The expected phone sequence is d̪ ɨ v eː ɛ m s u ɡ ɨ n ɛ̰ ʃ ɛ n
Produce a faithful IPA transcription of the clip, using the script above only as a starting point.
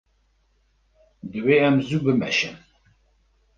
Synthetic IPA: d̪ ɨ w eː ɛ m z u b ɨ m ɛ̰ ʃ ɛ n

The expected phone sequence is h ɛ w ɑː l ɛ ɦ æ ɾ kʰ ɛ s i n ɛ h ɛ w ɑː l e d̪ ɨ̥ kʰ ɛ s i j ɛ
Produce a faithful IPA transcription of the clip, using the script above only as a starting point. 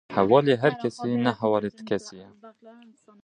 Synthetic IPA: h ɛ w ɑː l e ɦ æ ɾ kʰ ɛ s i n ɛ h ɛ w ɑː l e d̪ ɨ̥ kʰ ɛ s i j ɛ

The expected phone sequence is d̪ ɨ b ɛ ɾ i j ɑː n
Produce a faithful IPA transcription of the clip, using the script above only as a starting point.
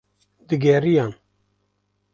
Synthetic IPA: d̪ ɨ ɡ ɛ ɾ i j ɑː n

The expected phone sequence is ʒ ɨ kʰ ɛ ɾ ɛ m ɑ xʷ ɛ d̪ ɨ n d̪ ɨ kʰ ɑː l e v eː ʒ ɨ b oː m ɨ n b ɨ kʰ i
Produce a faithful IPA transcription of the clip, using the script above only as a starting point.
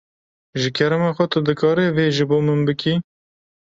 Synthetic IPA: ʒ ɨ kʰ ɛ ɾ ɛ m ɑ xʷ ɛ t̪ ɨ d̪ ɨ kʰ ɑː ɾ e v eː ʒ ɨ b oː m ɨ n b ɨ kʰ i

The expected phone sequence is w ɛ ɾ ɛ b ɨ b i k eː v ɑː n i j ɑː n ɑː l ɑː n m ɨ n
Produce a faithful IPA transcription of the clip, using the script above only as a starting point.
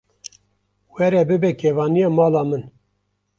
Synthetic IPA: w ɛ ɾ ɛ b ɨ b ɛ k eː v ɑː n i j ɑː m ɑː l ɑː m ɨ n

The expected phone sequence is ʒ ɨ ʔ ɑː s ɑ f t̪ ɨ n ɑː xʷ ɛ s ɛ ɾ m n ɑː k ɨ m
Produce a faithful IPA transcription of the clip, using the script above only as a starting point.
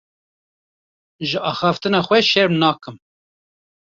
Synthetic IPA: ʒ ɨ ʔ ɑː x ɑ f t̪ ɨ n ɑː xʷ ɛ ʃ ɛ ɾ m n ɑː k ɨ m

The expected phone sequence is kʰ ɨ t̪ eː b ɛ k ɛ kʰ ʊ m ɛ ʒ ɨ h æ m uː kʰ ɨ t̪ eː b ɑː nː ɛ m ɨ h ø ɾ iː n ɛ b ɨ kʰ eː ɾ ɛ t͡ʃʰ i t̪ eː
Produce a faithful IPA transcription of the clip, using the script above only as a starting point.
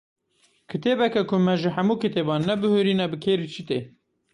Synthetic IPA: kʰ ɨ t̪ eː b ɛ k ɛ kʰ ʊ m ɛ ʒ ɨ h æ m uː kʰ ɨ t̪ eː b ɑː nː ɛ b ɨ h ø ɾ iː n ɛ b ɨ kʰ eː ɾ i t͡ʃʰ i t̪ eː

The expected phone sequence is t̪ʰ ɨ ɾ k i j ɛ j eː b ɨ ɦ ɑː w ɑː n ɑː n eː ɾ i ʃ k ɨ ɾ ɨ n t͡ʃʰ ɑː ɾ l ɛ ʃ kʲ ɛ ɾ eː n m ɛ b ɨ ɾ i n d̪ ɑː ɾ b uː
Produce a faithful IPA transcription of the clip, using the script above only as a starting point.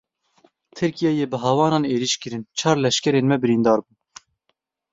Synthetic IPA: t̪ʰ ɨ ɾ k i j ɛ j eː b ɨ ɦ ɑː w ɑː n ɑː n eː ɾ i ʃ k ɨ ɾ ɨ n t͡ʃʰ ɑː ɾ l ɛ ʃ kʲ ɛ ɾ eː n m ɛ b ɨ ɾ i n d̪ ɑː ɾ b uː

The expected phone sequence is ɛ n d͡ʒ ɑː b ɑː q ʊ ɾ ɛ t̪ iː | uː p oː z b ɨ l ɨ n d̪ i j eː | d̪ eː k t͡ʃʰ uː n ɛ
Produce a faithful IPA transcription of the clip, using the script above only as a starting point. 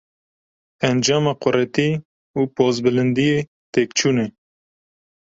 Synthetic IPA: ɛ n d͡ʒ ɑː m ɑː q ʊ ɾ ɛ t̪ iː | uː p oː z b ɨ l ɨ n d̪ i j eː | t̪ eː k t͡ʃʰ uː n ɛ

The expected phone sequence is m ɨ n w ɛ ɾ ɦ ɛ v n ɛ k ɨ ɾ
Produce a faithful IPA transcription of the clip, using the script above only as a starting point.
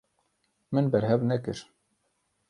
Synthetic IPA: m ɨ n b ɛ ɾ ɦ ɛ v n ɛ k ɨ ɾ

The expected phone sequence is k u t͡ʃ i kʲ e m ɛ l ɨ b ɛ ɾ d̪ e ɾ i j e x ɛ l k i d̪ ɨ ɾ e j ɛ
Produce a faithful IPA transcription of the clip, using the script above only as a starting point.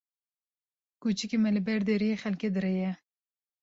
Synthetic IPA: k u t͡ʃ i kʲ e m ɛ l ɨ b ɛ ɾ d̪ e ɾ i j e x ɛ l k e d̪ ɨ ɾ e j ɛ

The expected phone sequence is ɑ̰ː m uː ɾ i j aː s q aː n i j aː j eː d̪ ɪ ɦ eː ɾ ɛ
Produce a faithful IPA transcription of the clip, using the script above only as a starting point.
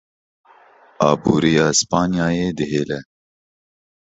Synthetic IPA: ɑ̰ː b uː ɾ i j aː s p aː n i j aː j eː d̪ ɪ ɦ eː l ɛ

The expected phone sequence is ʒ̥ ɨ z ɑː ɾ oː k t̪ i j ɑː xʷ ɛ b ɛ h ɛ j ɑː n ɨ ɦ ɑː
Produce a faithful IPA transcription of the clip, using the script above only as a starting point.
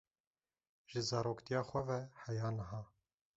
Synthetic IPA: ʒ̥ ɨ z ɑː ɾ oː k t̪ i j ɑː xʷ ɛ v ɛ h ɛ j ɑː n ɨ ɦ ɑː

